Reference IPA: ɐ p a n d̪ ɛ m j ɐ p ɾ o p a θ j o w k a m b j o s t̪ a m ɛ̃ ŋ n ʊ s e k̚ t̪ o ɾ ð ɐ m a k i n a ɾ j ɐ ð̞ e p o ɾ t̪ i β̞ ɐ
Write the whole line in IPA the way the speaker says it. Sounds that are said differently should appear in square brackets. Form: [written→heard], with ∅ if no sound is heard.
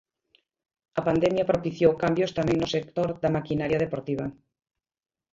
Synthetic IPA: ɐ p a n d̪ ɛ m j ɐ p ɾ o p [a→i] θ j o w k a m b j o s t̪ a m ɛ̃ ŋ n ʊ s e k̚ t̪ o ɾ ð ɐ m a k i n a ɾ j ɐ ð̞ e p o ɾ t̪ i β̞ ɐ

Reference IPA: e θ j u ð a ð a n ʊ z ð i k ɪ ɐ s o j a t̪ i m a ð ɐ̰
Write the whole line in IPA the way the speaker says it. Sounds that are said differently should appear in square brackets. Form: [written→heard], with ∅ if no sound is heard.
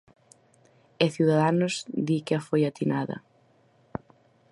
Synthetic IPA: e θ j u ð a ð a n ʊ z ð i k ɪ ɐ [s→f] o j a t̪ i [m→n] a ð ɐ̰

